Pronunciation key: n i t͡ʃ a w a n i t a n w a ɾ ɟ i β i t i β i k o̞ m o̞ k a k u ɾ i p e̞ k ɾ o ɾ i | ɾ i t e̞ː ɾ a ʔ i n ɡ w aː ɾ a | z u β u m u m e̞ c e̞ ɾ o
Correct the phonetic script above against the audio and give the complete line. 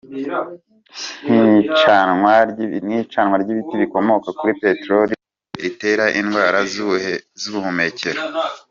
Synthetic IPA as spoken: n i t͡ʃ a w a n i t͡ʃ a n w a ɾ ɟ i β i t i β i k o̞ m o̞ k a k u ɾ i p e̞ t ɾ o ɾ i | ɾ i t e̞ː ɾ a ʔ i n ɡ w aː ɾ a | z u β u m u m e̞ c e̞ ɾ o